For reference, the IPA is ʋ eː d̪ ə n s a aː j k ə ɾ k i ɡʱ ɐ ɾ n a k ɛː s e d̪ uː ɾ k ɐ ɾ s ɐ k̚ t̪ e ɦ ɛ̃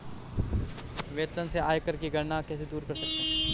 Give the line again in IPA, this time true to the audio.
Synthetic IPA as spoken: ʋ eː t̪ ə n s e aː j k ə ɾ k i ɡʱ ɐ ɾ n a k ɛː s e d̪ uː ɾ k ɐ ɾ s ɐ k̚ t̪ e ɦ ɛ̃